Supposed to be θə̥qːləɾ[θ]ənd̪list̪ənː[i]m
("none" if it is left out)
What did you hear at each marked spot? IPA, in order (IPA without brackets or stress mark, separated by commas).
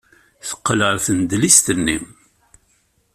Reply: θ, i